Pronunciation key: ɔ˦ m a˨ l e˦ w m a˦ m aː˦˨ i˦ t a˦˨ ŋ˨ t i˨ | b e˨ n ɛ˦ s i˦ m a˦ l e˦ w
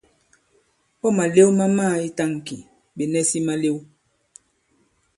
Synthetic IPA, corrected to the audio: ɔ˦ m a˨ l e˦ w m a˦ m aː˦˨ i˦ t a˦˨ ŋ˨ k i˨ | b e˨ n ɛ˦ s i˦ m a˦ l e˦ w